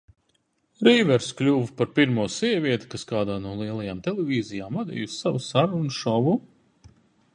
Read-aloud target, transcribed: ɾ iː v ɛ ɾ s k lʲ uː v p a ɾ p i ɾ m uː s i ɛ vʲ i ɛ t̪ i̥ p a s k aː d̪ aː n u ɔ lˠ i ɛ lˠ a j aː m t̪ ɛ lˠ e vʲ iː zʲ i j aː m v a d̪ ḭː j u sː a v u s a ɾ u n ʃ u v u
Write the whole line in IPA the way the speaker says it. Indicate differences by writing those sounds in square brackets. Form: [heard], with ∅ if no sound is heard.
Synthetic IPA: ɾ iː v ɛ ɾ s k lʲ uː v p a ɾ p i ɾ m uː s i ɛ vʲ i ɛ t̪ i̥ [k] a s k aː d̪ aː n u ɔ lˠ i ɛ lˠ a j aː m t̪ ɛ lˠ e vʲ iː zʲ i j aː m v a d̪ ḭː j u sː a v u s a ɾ u n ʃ [ɔ] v u